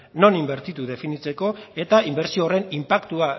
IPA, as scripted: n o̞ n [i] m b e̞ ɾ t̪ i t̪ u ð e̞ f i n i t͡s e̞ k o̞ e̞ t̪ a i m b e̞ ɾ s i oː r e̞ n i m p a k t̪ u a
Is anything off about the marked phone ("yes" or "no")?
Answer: no